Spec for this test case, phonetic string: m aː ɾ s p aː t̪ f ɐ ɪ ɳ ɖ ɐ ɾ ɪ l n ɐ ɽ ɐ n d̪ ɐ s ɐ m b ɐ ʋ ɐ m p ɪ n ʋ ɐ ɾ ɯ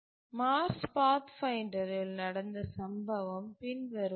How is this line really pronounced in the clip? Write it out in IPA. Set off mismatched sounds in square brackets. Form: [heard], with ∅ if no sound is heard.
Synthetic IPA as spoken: m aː ɾ s p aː t̪ f ɐ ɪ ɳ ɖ ɐ ɾ ɪ l n ɐ ɽ ɐ n d̪ ɐ s ɐ m b ɐ ʋ ɐ m p ɪ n ʋ ɐ ɾ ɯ